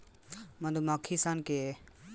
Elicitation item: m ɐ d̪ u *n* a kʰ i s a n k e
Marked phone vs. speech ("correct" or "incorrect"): incorrect